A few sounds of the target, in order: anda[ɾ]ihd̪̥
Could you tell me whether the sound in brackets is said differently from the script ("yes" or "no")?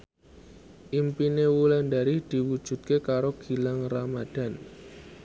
no